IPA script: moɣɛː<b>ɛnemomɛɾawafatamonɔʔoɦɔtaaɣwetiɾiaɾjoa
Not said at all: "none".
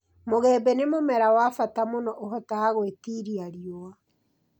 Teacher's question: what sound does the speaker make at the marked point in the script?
b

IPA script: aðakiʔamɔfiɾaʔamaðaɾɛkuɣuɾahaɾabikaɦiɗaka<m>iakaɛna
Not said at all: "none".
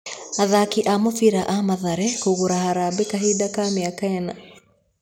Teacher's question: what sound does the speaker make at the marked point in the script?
m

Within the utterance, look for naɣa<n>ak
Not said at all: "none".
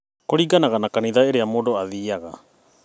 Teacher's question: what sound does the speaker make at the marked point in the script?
n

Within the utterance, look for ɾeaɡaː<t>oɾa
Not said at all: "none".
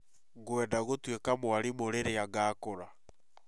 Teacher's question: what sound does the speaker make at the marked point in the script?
k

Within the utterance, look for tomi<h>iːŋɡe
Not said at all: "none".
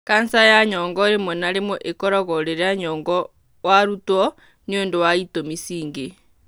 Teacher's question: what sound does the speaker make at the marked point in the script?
s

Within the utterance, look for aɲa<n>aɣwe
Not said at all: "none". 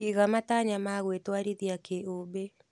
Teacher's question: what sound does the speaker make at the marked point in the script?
m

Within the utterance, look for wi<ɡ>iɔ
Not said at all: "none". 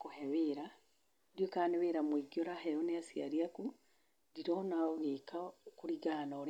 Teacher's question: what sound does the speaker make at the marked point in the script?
ɡ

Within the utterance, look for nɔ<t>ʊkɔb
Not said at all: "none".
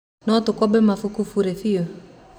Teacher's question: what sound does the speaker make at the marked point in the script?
t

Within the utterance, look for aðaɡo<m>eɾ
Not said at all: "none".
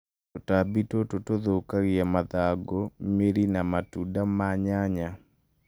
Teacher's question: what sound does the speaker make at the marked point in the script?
m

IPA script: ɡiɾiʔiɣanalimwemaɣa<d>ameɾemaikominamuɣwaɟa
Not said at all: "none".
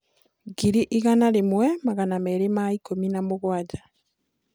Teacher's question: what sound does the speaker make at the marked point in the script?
n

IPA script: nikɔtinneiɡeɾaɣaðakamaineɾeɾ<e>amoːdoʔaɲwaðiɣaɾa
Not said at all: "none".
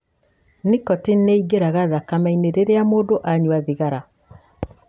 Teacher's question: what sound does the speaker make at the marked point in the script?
e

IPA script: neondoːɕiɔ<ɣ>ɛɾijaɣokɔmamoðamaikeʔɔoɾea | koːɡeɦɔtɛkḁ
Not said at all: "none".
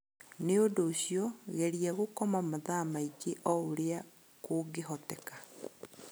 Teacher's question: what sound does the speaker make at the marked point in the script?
ɣ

